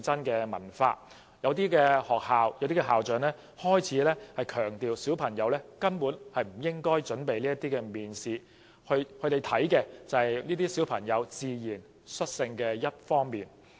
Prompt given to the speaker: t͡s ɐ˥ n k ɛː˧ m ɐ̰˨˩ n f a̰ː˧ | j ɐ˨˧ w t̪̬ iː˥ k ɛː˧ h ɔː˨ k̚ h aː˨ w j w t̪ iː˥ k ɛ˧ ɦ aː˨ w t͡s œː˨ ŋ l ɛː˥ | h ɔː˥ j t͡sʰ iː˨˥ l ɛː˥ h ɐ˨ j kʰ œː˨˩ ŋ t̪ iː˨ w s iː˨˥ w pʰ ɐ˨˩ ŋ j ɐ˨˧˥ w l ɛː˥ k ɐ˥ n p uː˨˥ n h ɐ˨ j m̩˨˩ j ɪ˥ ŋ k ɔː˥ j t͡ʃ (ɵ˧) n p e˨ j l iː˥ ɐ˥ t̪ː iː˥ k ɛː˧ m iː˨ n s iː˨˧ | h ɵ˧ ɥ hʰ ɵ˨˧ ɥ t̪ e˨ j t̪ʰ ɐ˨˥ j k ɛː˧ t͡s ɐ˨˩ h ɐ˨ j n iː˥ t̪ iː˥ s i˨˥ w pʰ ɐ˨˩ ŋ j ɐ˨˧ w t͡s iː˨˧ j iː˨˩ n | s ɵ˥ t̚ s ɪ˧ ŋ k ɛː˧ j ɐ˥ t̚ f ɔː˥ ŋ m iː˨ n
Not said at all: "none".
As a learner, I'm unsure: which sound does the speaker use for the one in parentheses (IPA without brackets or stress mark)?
ɵ˨˥